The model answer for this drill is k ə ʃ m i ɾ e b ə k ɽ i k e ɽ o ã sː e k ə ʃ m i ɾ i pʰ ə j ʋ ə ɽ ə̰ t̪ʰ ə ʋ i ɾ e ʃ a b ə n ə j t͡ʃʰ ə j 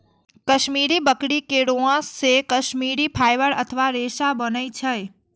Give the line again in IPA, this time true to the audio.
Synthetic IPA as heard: k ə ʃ m i ɾ i b ə k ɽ i k e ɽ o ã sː e k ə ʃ m i ɾ i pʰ a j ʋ ə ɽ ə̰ t̪ʰ ə ʋ a ɾ e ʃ a b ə n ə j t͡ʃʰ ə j